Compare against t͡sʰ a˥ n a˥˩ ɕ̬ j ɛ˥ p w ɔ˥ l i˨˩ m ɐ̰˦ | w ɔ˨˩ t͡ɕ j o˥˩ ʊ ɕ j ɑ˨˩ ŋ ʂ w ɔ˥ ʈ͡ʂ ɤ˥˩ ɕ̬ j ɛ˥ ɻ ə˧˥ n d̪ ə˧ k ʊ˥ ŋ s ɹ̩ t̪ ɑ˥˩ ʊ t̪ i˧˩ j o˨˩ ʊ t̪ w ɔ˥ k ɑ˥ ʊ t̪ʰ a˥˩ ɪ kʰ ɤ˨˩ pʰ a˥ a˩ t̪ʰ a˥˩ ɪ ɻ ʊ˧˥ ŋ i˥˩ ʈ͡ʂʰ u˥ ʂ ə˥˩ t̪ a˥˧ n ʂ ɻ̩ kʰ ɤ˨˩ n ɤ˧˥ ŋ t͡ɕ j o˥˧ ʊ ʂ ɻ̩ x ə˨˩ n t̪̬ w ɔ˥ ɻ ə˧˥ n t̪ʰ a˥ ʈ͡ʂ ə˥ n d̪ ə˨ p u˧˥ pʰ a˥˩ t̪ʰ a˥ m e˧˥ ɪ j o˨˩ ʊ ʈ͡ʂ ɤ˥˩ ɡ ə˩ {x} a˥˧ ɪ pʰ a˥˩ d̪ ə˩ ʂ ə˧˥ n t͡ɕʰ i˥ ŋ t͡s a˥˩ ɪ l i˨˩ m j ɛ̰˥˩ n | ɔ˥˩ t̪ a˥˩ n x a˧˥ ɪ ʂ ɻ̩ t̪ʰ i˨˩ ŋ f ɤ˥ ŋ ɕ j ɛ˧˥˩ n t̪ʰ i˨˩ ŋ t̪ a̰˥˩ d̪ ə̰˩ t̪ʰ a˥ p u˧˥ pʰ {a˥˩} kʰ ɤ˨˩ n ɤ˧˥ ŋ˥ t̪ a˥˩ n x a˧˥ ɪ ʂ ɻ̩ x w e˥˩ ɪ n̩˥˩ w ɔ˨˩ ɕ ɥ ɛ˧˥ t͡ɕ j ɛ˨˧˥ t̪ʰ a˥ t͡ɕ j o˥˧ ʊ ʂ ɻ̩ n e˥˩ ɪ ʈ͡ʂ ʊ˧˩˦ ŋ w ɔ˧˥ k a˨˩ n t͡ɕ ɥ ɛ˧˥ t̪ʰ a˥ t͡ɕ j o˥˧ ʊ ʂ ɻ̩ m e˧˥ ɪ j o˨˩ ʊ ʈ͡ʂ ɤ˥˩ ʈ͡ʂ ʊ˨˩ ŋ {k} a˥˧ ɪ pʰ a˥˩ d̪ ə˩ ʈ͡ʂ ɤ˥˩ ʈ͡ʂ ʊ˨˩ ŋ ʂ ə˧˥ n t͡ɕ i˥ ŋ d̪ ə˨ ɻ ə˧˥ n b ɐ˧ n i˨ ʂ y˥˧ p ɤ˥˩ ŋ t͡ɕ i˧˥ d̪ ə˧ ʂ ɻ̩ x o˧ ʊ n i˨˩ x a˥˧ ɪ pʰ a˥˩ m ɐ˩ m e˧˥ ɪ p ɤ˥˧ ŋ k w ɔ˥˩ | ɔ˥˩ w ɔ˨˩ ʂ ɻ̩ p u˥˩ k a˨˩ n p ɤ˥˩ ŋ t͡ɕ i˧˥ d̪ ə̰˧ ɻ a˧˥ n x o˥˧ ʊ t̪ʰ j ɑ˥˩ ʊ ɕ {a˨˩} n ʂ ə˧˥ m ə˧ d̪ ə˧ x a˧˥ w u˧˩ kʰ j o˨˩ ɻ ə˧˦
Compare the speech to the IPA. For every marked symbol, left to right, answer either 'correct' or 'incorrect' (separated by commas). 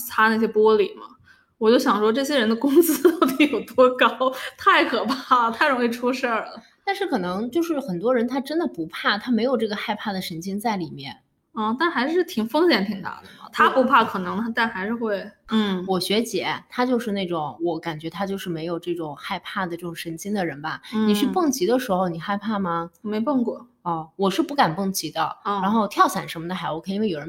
correct, correct, incorrect, correct